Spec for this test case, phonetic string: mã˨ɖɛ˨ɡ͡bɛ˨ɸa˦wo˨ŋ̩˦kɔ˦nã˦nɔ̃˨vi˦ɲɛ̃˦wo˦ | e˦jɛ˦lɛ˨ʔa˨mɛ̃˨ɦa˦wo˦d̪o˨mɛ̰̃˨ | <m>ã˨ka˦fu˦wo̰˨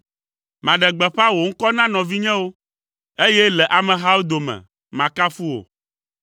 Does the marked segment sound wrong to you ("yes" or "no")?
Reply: no